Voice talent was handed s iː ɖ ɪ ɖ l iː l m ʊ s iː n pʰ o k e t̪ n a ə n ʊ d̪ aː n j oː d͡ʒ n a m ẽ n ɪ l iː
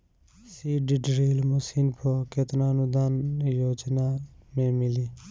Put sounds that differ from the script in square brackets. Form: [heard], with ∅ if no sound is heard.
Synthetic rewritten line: s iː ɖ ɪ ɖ [ɾ] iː l m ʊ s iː n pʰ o k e t̪ n a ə n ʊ d̪ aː n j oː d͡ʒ n a m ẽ [m] ɪ l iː